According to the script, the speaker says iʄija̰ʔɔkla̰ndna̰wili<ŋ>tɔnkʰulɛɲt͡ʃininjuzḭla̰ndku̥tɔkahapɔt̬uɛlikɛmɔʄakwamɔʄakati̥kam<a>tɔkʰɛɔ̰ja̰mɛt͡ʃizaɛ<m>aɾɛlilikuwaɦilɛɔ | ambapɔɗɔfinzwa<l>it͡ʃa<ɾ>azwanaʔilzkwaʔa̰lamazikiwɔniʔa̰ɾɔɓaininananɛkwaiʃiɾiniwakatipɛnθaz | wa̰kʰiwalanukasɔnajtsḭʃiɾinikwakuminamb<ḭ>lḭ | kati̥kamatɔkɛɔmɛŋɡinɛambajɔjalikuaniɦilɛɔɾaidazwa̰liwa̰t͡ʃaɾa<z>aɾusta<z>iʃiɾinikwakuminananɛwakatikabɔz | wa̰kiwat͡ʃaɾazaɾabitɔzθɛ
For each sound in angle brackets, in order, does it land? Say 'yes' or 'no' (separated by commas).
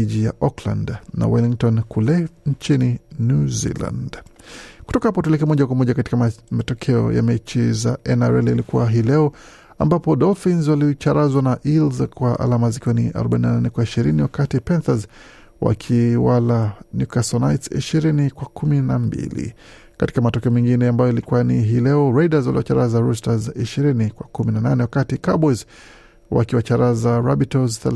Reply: yes, yes, no, yes, yes, yes, yes, yes